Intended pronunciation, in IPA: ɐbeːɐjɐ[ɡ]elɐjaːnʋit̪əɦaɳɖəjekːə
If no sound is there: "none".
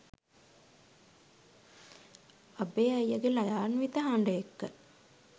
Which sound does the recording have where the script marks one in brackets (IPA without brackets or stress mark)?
ɡ